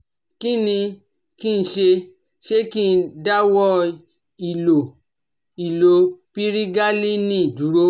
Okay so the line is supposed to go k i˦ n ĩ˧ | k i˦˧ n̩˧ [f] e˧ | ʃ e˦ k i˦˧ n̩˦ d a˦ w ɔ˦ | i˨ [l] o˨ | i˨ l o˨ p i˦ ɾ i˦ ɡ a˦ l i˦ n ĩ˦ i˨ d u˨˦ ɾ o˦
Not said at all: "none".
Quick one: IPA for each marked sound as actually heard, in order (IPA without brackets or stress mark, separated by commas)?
ʃ, l